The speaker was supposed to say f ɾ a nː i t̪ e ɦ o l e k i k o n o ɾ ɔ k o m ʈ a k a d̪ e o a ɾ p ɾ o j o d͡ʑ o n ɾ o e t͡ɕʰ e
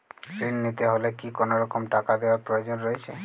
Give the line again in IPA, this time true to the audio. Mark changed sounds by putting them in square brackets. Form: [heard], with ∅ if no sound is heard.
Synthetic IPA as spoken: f ɾ [i] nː i t̪ e ɦ o l e k i k o n o ɾ ɔ k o m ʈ a k a d̪ e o a ɾ p ɾ o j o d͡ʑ o n ɾ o e t͡ɕʰ e